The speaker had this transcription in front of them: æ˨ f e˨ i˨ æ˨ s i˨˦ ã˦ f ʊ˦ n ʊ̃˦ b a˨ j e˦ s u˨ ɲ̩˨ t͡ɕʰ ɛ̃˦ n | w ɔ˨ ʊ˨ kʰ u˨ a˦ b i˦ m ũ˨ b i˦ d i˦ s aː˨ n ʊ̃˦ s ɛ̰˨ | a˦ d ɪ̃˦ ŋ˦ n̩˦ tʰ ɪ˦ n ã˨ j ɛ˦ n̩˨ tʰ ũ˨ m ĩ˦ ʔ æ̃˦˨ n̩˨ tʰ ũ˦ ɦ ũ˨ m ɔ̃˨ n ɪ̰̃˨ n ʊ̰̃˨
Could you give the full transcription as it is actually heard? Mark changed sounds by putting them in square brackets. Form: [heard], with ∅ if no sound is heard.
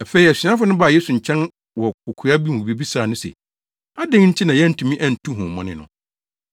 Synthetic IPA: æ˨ f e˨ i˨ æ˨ s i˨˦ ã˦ f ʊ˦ n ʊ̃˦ b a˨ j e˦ s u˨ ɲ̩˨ t͡ɕʰ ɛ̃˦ n | w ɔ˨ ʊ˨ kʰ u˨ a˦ b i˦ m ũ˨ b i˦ [b] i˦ s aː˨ n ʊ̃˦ s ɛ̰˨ | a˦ d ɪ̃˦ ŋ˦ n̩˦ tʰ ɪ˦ n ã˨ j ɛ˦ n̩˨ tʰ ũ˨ m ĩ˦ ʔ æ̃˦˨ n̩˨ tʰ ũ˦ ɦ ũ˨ m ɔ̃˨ n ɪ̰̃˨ n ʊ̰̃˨